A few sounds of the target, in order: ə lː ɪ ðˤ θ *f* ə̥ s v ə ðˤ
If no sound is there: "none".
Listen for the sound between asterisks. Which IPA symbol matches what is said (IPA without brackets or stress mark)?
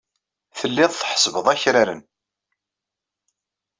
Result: ħ